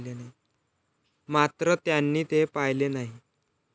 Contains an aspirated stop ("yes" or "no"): no